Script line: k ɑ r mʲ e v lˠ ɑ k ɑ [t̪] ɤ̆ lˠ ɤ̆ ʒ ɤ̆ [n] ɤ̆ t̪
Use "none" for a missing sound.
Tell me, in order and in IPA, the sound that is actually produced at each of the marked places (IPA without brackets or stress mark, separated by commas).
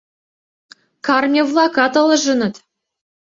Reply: t̪, n